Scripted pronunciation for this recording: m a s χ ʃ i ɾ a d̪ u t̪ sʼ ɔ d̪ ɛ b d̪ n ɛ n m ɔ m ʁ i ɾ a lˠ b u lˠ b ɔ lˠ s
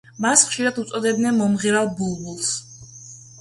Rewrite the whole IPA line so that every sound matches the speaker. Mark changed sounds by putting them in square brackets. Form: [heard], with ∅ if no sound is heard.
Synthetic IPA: m a s χ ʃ i ɾ a d̪ u t̪ sʼ ɔ d̪ ɛ b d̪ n ɛ n m ɔ m ʁ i ɾ a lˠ b u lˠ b [u] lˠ s